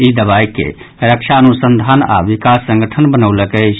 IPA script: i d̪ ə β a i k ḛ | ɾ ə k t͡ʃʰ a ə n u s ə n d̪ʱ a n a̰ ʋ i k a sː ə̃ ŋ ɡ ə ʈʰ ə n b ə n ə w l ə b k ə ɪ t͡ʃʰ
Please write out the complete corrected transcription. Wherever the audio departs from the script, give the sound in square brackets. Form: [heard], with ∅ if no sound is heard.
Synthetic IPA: i d̪ ə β a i k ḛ | ɾ ə k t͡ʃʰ a ə n u s ə n d̪ʱ a n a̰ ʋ i k a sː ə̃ ŋ ɡ ə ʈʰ ə n b ə n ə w l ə [∅] k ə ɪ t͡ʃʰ